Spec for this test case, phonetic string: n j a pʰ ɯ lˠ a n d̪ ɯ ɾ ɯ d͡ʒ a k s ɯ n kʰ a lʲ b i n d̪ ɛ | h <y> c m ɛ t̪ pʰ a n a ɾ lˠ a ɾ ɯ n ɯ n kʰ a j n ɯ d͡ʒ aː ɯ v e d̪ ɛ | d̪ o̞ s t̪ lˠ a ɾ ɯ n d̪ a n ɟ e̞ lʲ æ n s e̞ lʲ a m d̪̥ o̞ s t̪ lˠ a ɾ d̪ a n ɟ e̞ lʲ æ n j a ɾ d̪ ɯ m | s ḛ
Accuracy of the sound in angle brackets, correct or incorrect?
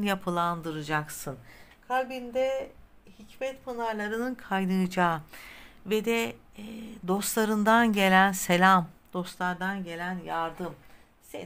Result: incorrect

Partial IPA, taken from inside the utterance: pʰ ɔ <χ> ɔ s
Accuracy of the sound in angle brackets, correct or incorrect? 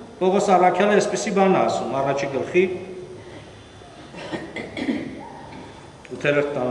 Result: incorrect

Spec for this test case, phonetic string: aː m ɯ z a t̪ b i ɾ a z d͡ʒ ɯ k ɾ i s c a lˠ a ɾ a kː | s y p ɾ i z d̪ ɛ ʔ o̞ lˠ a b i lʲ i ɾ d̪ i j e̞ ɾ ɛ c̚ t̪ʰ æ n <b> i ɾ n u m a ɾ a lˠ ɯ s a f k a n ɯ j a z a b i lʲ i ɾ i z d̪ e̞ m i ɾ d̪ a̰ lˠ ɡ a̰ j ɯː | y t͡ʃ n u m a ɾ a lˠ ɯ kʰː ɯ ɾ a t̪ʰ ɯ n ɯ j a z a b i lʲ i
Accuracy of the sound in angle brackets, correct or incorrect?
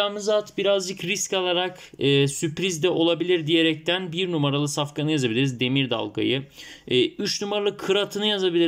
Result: correct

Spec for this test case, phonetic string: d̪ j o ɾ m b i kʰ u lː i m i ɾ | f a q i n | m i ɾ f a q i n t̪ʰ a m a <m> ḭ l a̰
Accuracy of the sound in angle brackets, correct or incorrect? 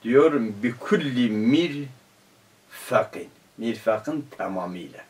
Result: correct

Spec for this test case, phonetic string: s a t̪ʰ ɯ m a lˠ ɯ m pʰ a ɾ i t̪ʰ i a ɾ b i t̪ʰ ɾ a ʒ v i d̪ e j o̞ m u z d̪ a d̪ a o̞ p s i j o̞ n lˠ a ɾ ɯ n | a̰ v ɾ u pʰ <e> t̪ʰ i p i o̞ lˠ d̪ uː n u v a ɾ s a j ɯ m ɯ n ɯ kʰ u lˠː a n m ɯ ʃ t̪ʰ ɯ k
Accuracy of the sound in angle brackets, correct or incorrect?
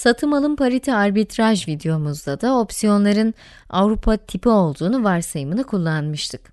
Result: incorrect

